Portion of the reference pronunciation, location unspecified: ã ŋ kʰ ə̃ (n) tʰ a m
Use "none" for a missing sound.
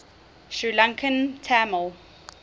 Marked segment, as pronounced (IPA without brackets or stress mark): n